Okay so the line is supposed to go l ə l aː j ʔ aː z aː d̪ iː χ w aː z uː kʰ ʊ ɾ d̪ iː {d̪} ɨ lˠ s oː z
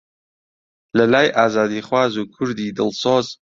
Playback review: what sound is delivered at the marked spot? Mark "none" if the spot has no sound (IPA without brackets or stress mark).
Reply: d̪